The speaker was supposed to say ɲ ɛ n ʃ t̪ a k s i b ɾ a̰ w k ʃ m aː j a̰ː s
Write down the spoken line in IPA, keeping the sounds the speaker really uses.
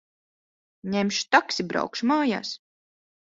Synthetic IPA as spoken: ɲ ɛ m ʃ t̪ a k s i b ɾ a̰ w k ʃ m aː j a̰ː s